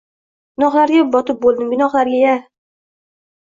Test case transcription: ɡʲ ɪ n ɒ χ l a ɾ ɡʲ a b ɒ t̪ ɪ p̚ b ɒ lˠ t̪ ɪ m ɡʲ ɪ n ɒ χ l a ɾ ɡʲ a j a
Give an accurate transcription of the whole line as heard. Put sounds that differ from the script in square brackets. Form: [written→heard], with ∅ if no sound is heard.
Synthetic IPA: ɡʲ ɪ n ɒ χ l a ɾ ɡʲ a b ɒ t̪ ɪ p̚ b [ɒ→o] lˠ [t̪→d̪] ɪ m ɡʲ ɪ n ɒ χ l a ɾ ɡʲ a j a